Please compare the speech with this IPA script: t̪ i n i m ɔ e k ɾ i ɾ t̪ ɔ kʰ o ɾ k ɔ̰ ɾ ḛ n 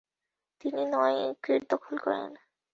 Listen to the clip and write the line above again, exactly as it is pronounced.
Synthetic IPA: t̪ i n i n ɔ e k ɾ i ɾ d̪ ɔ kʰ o l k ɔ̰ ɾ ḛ n